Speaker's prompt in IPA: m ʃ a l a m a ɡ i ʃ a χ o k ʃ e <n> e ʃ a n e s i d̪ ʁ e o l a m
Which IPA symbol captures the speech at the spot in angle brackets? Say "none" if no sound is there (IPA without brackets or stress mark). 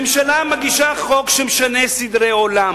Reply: m